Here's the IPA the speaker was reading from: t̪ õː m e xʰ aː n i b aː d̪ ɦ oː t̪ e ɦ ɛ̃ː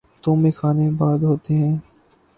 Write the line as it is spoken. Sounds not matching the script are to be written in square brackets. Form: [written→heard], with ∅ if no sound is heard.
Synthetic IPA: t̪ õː m e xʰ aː n [i→e] b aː d̪ ɦ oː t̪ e ɦ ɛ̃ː